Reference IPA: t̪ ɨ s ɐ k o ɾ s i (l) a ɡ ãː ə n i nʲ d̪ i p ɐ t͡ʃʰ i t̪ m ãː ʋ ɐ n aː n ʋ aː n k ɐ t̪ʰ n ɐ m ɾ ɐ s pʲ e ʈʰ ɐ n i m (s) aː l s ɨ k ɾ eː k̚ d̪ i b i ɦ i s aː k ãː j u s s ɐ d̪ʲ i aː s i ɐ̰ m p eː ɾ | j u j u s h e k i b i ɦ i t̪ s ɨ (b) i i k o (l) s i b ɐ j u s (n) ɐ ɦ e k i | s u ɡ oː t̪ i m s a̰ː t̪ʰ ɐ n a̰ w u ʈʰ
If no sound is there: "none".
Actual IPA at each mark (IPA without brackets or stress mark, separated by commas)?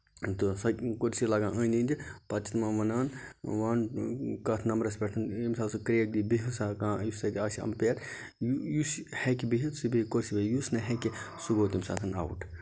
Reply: l, s, b, ɾ, n